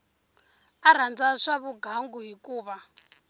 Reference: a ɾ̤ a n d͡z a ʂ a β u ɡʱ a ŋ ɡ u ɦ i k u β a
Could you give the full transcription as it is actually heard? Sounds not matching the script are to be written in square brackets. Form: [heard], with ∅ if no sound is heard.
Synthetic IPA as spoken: a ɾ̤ a n d͡z a ʂ a β u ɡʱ a ŋ ɡ u ɦ i k [uː] β a